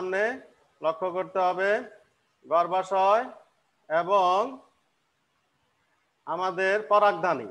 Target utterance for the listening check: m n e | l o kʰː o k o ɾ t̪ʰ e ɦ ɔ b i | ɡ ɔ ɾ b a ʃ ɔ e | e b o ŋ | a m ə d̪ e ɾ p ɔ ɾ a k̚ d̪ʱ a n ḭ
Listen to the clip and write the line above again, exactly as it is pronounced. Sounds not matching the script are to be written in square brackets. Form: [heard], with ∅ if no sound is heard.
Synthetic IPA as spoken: m n e | l o kʰː o k o ɾ [t̪] e ɦ ɔ b [e] | ɡ ɔ ɾ b a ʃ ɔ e | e b o ŋ | a m [a] d̪ e ɾ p ɔ ɾ a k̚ d̪ʱ a n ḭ